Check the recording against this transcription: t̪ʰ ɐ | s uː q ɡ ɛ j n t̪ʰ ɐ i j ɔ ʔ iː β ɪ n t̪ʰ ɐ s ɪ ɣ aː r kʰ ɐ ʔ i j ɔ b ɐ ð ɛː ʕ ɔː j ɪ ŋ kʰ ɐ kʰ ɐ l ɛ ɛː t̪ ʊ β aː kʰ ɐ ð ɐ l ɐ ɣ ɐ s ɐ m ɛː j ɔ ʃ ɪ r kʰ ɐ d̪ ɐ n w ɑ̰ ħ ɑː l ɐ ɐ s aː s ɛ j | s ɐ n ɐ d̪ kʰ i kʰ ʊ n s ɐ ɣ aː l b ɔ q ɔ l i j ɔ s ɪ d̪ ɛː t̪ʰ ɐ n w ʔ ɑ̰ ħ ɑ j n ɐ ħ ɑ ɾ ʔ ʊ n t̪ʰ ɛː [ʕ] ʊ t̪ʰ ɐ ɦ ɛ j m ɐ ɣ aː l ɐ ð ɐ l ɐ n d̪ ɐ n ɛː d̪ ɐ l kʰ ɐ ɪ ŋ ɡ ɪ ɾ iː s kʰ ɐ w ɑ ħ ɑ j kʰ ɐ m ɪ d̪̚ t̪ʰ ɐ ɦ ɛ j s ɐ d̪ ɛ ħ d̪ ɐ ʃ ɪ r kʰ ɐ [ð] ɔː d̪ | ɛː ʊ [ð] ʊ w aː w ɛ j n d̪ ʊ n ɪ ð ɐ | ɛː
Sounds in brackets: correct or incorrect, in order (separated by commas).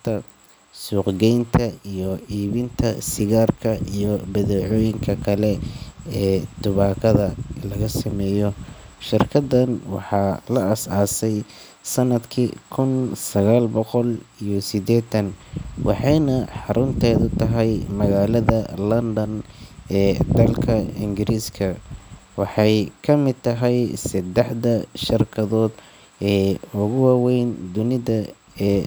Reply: incorrect, correct, incorrect